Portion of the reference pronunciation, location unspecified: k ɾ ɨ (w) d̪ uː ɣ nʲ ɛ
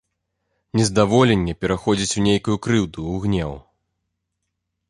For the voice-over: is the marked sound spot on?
yes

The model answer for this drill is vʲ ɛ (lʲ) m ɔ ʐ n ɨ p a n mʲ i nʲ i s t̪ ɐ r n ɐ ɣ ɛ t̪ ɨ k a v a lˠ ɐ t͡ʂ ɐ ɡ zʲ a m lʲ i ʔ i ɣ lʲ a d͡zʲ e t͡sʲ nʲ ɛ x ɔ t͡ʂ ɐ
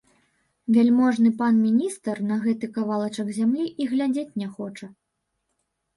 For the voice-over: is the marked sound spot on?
yes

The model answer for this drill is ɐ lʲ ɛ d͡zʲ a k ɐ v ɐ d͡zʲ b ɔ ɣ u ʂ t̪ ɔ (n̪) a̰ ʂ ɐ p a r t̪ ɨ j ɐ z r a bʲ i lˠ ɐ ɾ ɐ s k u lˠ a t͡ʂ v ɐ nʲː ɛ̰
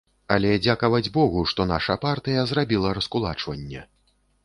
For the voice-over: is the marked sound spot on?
yes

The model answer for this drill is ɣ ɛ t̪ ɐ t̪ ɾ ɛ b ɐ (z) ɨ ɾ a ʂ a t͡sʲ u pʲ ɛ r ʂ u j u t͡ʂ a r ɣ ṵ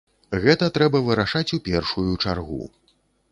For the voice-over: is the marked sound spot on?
no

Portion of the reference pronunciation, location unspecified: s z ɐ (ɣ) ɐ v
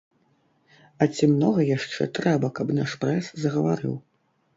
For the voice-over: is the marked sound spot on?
yes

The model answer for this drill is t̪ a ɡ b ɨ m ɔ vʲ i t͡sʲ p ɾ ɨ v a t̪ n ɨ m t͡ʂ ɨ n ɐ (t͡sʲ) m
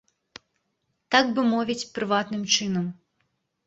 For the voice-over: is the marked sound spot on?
no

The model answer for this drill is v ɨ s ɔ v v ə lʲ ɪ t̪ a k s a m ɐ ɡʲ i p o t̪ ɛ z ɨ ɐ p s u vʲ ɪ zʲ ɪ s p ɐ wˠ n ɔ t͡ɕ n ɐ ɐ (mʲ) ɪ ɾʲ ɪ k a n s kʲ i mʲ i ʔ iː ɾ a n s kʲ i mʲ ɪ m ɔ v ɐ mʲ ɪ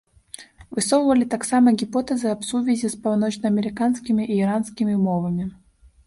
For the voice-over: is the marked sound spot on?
yes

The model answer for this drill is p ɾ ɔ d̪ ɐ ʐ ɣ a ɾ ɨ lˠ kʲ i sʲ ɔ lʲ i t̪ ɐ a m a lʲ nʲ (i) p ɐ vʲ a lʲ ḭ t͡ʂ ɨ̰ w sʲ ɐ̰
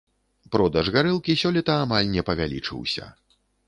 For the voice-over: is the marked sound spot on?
no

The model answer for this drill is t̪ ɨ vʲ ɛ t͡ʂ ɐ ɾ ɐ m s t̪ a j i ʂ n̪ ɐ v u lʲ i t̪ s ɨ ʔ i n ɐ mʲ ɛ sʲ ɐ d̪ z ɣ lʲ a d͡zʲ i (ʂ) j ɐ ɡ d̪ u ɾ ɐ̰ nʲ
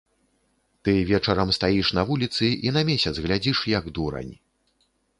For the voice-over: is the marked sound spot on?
yes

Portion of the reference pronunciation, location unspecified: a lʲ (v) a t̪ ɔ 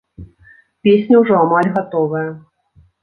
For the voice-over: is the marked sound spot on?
no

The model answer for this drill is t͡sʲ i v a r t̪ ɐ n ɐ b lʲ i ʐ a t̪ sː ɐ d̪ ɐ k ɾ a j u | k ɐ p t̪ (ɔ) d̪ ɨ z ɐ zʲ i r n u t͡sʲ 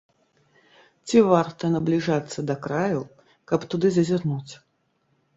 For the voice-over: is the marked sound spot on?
no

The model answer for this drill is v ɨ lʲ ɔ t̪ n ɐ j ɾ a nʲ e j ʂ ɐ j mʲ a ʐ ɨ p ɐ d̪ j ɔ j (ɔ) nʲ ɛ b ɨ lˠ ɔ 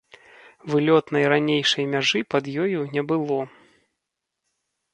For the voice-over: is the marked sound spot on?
no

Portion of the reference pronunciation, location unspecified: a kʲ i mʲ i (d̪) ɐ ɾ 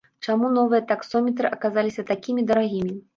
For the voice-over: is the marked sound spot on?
yes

